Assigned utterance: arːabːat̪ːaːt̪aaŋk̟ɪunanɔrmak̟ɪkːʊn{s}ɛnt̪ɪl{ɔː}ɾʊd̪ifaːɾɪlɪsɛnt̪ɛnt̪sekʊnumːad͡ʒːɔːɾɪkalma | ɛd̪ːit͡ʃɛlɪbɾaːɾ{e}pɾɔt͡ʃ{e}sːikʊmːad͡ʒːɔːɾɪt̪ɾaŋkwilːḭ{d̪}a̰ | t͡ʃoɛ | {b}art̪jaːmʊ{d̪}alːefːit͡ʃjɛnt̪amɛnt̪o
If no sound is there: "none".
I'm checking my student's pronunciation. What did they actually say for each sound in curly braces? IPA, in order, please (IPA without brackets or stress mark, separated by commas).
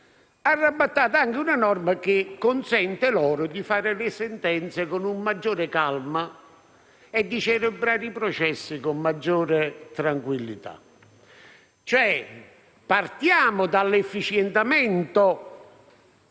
s, ɔː, i, ɛ, t̪, p, d̪